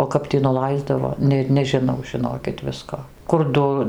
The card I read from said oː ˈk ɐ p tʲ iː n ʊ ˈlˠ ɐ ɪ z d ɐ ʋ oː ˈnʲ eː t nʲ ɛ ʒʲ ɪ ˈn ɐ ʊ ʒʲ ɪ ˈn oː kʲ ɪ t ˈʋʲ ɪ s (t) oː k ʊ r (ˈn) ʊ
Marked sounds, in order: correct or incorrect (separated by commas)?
incorrect, incorrect